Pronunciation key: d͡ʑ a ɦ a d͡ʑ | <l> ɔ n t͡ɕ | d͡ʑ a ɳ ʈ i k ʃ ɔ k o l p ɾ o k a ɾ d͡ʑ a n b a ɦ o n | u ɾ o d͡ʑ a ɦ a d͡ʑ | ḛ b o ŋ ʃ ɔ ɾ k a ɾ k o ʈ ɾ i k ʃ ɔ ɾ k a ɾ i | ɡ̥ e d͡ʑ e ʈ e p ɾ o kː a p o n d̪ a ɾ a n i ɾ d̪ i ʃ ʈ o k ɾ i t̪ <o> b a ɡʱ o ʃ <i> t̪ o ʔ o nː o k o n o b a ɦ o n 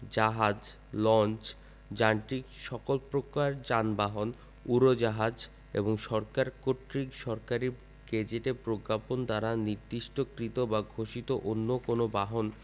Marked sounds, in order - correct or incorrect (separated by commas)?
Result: correct, correct, correct